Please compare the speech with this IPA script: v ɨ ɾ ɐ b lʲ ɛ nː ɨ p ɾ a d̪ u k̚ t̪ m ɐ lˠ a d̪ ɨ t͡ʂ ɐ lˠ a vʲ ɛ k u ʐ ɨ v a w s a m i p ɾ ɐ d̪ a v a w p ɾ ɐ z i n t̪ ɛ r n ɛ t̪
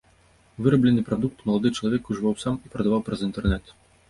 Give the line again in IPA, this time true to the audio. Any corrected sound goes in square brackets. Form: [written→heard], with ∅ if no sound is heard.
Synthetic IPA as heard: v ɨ ɾ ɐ b lʲ ɛ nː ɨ p ɾ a d̪ u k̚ t̪ m ɐ lˠ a d̪ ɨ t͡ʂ ɐ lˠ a vʲ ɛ k u ʐ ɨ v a w s a m i p ɾ ɐ d̪ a v a w p ɾ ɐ z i n t̪ ɛ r n ɛ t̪